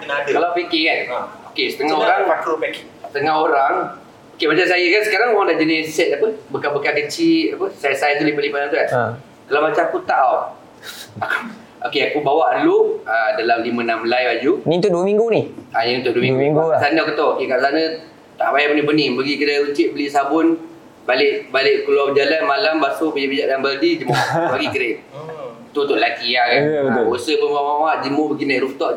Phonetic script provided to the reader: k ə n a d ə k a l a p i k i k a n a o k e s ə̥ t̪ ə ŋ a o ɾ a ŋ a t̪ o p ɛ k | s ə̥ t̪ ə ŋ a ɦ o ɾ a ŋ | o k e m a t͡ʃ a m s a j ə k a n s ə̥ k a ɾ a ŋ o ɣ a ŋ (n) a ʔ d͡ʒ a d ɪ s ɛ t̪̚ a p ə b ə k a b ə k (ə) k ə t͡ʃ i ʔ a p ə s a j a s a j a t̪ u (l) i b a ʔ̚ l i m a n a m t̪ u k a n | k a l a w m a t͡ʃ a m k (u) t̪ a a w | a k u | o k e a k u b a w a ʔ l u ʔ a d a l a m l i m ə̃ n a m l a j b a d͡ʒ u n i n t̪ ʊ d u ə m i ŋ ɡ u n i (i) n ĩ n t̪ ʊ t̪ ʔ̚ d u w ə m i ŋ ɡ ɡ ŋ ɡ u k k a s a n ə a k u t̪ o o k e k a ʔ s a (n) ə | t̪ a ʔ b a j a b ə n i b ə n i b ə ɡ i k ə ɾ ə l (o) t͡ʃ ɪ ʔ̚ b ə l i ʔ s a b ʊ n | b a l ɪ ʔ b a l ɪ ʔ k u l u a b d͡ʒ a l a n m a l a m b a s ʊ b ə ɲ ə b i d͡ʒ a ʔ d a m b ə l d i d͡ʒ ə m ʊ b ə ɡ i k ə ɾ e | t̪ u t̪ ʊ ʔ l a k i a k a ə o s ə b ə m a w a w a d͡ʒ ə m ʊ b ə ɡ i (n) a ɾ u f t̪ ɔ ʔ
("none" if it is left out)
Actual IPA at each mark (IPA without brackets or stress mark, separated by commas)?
d, a, l, u, a, n, u, n